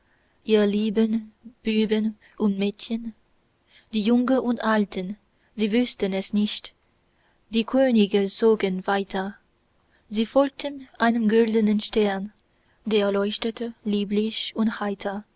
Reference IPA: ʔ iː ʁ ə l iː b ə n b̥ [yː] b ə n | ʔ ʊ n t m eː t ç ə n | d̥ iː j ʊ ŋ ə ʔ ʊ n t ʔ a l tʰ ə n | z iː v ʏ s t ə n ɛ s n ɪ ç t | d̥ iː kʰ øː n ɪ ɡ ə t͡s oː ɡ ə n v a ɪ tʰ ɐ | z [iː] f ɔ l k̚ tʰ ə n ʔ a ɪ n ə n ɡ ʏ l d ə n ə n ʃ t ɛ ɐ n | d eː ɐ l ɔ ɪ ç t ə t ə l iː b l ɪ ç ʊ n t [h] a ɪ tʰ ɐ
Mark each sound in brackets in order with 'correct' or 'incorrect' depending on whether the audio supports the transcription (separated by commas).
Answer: correct, correct, correct